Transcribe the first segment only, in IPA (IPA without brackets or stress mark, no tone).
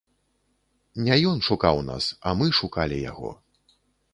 nʲ